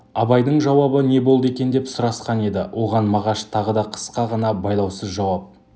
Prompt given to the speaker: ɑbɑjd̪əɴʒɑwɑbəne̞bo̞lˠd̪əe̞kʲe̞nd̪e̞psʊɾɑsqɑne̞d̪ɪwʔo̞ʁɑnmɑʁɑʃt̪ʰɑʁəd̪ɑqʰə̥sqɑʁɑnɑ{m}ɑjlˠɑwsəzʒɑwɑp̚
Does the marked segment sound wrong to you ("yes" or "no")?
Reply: yes